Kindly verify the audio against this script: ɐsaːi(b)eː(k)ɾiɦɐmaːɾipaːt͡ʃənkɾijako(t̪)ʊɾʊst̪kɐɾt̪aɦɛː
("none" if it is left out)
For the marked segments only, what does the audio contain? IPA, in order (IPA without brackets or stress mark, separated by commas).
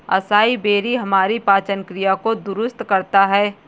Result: b, none, d̪